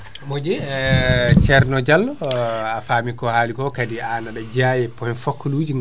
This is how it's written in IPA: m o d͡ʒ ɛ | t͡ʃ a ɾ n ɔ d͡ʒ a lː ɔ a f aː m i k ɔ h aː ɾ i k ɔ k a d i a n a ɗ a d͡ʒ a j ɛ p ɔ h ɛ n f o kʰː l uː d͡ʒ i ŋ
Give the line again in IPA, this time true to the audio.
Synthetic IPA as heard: m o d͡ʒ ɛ | t͡ʃ ɛ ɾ n ɔ d͡ʒ a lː ɔ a f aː m i k ɔ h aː l i k ɔ k a d i a n a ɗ a d͡ʒ a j ɛ p ɔ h ɛ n f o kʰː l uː d͡ʒ i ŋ

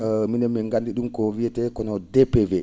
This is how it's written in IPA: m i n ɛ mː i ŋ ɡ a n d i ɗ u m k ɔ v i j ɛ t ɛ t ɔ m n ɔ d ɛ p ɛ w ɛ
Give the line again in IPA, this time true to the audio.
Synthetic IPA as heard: m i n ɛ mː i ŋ ɡ a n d i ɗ u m k ɔ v i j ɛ t ɛ k ɔ n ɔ d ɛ p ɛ v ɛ

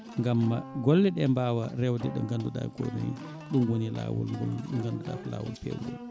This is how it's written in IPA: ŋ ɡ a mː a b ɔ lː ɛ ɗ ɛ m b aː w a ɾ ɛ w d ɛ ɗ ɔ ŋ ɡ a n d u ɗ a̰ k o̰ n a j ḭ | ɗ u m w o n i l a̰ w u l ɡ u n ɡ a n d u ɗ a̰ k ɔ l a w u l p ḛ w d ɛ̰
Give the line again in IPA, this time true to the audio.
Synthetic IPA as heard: ŋ ɡ a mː a ɡ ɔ lː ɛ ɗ ɛ m b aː w a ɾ ɛ w d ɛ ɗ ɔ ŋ ɡ a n d u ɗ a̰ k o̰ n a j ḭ | ɗ u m w o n i l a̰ w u l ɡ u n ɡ a n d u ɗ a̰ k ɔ l a w u l p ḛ w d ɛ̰

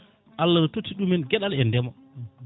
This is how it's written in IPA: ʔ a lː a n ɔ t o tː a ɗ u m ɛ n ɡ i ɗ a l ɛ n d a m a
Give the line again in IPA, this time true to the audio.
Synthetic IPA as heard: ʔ a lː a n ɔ t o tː i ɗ u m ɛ n ɡ ɛ ɗ a l ɛ n d ɛ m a

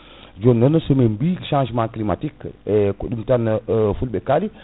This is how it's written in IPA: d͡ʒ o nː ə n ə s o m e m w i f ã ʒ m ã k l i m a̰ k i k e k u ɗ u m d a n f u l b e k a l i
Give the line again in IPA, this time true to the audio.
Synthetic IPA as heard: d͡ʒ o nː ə n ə s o m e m b i ʃ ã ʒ m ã k l i m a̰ t i k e k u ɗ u m t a n f u l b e k a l i

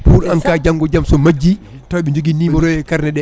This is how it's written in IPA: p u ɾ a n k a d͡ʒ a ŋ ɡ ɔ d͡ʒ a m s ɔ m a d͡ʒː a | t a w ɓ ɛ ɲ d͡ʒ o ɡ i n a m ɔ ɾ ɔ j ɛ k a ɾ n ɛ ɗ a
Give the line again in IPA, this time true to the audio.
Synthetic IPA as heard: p u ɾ a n k a d͡ʒ a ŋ ɡ ɔ d͡ʒ a m s ɔ m a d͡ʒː i | t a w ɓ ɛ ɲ d͡ʒ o ɡ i n i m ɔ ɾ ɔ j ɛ k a ɾ n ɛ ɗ ɛ

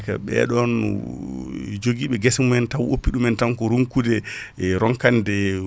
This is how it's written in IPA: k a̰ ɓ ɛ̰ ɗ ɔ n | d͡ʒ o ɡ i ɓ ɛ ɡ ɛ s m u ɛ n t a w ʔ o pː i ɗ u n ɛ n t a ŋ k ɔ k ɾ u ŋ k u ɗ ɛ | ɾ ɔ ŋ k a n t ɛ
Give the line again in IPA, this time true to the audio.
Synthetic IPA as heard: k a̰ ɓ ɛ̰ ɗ ɔ n | d͡ʒ o ɡ i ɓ ɛ ɡ ɛ s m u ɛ n t a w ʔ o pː i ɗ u m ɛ n t a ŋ k ɔ ɾ u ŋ k u d ɛ | ɾ ɔ ŋ k a n d ɛ

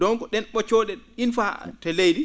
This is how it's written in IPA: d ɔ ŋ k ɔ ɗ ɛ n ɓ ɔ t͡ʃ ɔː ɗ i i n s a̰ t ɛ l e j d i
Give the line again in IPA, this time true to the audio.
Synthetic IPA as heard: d ɔ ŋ k ɔ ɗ ɛ n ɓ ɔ t͡ʃ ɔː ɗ ɛ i n f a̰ t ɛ l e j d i

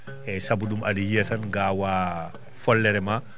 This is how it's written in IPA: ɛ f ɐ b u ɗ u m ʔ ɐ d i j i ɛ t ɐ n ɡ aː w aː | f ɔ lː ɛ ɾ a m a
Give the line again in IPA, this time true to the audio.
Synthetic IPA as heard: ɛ s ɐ b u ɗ u m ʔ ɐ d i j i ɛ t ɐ n ɡ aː w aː | f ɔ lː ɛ ɾ ɛ m a

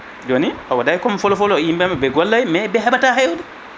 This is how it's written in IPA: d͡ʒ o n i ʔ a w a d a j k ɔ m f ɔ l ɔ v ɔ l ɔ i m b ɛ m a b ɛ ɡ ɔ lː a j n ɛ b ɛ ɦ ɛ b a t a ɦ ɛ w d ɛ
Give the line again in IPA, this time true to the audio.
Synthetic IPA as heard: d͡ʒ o n i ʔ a w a d a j k ɔ m f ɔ l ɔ f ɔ l ɔ i m b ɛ m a b ɛ ɡ ɔ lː a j m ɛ b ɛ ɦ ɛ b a t a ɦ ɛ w d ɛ

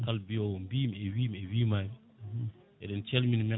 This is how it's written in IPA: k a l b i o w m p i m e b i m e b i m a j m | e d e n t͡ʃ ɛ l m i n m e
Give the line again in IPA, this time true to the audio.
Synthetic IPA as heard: k a l b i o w m b i m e w i m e w i m a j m | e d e n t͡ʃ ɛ l m i n m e

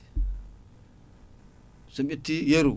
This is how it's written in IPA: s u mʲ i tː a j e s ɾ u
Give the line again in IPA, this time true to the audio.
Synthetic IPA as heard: s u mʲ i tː i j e ɾ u

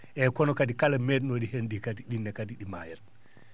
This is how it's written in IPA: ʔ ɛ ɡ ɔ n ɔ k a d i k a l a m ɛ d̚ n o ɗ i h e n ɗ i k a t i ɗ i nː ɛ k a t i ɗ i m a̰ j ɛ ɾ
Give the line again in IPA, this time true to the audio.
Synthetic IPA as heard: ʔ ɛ k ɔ n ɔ k a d i k a l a m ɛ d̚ n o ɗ i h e n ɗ i k a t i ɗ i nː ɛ k a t i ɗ i m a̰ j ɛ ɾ

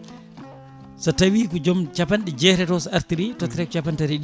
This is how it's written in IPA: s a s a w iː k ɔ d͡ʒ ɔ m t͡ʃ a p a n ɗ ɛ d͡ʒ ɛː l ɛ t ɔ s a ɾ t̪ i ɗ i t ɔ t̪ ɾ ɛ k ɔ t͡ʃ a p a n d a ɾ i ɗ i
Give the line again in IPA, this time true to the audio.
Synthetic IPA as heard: s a t a w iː k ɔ d͡ʒ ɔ m t͡ʃ a p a n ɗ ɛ d͡ʒ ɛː ɾ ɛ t ɔ s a ɾ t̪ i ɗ i t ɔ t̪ ɾ ɛ k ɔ t͡ʃ a p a n t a ɾ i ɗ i

